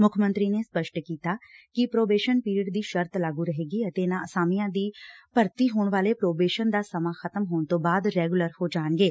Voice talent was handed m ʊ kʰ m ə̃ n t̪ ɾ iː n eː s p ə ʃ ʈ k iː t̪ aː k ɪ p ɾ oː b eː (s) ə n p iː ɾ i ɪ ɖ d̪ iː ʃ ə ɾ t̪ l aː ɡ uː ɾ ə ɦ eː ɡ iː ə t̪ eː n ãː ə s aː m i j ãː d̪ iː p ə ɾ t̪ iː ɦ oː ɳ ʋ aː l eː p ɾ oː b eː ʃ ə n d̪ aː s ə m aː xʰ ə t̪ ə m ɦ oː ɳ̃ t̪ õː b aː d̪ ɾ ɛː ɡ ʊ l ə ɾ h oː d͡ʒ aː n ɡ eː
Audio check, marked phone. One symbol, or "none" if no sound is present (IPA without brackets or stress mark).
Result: ʃ